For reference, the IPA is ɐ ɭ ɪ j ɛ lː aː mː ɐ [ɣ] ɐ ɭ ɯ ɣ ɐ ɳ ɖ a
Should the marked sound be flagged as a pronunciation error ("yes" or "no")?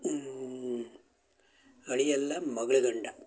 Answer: no